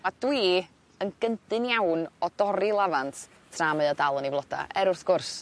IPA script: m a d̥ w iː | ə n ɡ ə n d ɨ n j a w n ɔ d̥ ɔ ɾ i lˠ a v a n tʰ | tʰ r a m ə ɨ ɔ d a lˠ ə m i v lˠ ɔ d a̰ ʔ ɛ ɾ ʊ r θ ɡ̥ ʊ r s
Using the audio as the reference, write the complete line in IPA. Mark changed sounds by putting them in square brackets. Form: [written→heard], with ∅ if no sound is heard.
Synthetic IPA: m a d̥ w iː | ə n ɡ ə n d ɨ n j a w n ɔ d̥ ɔ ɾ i lˠ a v a n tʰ | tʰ r a m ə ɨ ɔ d a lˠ ə [m→n] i v lˠ ɔ d a̰ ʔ ɛ ɾ ʊ r θ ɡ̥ ʊ r s